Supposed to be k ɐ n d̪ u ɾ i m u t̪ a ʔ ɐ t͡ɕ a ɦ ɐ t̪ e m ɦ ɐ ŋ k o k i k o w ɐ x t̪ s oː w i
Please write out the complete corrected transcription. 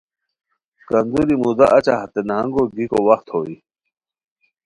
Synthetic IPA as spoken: k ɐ n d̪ u ɾ i m u d̪ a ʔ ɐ t͡ɕ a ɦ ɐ t̪ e n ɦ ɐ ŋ ɡ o ɡ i k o w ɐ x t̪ h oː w i